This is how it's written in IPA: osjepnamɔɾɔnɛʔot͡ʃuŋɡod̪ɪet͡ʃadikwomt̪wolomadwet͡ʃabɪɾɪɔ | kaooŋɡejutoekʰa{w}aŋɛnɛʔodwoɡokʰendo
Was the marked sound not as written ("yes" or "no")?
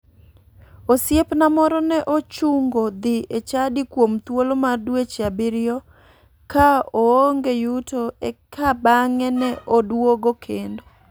yes